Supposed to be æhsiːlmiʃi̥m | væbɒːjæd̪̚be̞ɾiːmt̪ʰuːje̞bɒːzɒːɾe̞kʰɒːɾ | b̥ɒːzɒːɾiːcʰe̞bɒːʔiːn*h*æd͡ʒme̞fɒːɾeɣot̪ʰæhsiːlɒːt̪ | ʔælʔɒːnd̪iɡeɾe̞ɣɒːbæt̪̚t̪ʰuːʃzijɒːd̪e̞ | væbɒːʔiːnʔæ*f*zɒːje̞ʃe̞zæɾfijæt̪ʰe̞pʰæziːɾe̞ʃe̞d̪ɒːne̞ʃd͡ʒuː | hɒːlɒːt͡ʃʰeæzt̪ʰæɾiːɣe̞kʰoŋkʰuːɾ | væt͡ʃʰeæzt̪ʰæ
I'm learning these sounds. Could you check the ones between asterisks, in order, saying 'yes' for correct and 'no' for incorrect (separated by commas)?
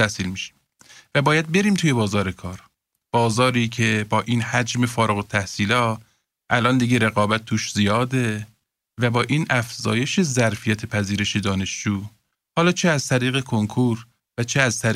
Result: yes, yes